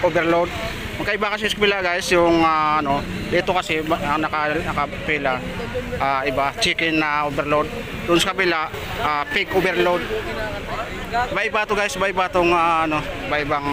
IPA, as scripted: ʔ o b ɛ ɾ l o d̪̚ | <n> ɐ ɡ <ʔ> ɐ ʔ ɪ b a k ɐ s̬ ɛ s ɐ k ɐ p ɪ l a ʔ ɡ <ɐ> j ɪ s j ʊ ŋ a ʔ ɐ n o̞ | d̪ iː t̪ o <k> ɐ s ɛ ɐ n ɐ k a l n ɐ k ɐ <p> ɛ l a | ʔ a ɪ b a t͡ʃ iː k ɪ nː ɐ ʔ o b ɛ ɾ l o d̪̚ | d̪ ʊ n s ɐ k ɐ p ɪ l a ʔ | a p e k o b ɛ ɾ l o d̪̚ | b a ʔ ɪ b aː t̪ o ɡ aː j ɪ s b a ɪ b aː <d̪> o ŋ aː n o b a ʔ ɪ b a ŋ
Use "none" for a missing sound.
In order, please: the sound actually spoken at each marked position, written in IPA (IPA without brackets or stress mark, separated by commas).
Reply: m, k, a, k, p, t̪